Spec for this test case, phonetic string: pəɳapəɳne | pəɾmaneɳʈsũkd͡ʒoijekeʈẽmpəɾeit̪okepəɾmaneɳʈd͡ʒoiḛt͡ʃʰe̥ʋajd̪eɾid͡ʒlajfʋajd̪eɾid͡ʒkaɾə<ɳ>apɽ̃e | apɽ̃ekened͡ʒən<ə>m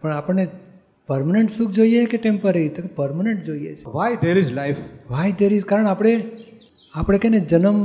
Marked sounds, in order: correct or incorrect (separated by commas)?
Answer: correct, correct